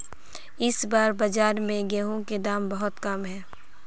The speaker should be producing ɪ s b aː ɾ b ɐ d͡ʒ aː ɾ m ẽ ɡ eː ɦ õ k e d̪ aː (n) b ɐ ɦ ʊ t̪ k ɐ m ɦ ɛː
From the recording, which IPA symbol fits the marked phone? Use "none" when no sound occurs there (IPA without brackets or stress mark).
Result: m